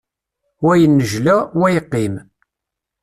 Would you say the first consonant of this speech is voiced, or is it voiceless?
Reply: voiced